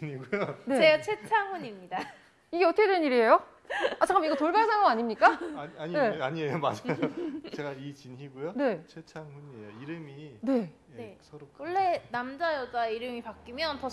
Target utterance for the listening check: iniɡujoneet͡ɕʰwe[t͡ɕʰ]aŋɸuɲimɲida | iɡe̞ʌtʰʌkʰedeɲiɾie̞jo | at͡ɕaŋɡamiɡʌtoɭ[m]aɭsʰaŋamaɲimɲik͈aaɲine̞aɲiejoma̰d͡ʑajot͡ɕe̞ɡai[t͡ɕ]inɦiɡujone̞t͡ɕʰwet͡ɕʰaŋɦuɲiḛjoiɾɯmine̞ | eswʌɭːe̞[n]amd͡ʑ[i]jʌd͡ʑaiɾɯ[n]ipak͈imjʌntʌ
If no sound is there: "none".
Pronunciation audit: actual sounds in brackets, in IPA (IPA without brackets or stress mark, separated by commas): t͡ɕʰ, b, t͡ɕ, n, a, m